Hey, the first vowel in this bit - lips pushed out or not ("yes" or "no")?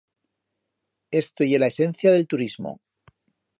no